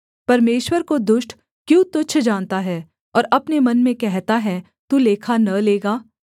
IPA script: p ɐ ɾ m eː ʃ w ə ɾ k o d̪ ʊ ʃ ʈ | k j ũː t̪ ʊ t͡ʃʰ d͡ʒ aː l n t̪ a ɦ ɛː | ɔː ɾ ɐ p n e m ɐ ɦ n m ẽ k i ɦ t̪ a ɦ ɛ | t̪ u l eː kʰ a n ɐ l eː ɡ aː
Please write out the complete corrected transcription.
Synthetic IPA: p ɐ ɾ m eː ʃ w ə ɾ k o d̪ ʊ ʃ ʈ | k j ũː t̪ ʊ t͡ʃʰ d͡ʒ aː n t̪ a ɦ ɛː | ɔː ɾ ɐ p n e m ɐ n m ẽ k ɛ ɦ t̪ a ɦ ɛ | t̪ u l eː kʰ a n ɐ l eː ɡ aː

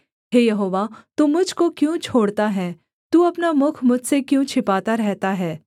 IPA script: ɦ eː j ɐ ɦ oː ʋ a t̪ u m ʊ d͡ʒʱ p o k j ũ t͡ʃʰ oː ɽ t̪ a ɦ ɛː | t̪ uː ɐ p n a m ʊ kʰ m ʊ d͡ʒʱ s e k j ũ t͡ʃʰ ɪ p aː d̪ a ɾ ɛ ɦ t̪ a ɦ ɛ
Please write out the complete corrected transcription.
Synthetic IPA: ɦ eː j ɐ ɦ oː ʋ a t̪ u m ʊ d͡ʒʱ k o k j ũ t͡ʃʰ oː ɽ t̪ a ɦ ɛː | t̪ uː ɐ p n a m ʊ kʰ m ʊ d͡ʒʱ s e k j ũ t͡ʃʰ ɪ p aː t̪ a ɾ ɛ ɦ t̪ a ɦ ɛː

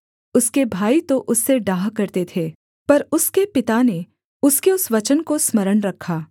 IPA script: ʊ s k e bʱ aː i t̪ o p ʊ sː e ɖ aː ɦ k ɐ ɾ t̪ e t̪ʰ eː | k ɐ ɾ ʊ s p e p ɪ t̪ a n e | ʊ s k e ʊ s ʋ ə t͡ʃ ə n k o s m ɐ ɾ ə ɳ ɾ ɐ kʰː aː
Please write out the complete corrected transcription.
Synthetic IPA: ʊ s k e bʱ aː i t̪ o ʔ ʊ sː e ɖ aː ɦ k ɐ ɾ t̪ e t̪ʰ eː | p ɐ ɾ ʊ s k e p ɪ t̪ a n e | ʊ s k e ʊ s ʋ ɐ t͡ʃ ə n k o s m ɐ ɾ ə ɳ ɾ ɐ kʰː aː

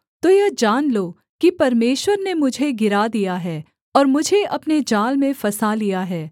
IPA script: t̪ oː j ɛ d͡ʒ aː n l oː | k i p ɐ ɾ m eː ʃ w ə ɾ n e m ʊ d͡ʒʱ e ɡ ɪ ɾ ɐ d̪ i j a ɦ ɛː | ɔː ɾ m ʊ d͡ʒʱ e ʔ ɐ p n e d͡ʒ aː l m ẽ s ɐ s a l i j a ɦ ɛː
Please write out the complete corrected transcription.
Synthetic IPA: t̪ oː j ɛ d͡ʒ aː n l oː | k i p ɐ ɾ m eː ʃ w ə ɾ n e m ʊ d͡ʒʱ e ɡ ɪ ɾ a d̪ i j a ɦ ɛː | ɔː ɾ m ʊ d͡ʒʱ e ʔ ɐ p n e d͡ʒ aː l m ẽ f ɐ s a l i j a ɦ ɛː

